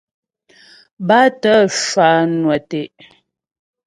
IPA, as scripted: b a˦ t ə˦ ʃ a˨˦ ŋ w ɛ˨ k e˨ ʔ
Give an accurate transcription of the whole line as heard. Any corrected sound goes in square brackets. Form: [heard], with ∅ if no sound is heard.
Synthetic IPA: b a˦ t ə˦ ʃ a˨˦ [n] w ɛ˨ [t] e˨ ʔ